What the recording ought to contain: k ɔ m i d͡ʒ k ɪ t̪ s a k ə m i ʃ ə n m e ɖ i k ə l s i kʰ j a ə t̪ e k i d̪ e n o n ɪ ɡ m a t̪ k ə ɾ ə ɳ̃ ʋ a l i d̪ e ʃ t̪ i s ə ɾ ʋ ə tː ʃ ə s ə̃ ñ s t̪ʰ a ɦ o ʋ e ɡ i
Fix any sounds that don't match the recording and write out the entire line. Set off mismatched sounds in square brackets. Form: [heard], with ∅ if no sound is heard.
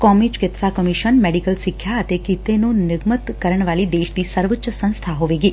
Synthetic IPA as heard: k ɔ m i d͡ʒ k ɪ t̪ s a k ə m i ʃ ə n m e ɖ i k ə l s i kʰ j a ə t̪ e k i [t̪] e n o n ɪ ɡ m [ə] t̪ k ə ɾ ə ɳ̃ ʋ a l i d̪ e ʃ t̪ i s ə ɾ ʋ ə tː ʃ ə s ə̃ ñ s t̪ʰ a ɦ o ʋ e ɡ i